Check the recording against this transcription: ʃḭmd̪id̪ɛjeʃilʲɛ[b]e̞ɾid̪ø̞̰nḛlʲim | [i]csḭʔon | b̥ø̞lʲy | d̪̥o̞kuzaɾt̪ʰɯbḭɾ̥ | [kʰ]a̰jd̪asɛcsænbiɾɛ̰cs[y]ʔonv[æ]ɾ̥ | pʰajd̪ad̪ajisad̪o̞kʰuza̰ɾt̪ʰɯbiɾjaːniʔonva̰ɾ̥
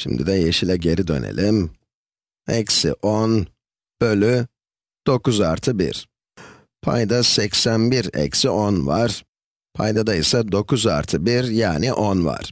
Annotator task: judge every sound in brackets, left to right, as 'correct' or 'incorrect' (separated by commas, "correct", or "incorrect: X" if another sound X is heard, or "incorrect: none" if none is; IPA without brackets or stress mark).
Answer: incorrect: ɟ, incorrect: ɛ, incorrect: pʰ, incorrect: i, incorrect: a